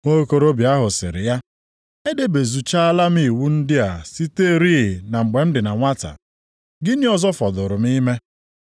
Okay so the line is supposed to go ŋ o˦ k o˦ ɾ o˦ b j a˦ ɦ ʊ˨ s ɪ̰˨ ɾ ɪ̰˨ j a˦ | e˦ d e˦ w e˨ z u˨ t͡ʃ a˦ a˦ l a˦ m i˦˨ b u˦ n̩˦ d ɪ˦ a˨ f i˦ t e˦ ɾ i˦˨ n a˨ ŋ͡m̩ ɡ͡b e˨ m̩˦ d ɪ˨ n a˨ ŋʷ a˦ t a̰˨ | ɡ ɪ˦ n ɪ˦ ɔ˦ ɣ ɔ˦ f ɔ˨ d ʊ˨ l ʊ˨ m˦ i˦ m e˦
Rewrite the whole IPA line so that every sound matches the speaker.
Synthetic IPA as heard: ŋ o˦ k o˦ ɾ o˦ b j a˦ ɦ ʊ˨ s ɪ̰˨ ɾ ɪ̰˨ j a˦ | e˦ d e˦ b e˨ z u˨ t͡ʃ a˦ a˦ l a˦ m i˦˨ w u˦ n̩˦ d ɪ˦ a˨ s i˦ t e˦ ɾ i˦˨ n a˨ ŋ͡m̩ ɡ͡b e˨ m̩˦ d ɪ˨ n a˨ ŋʷ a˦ t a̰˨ | ɡ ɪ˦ n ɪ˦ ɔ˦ z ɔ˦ f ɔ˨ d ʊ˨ ɾ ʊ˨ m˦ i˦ m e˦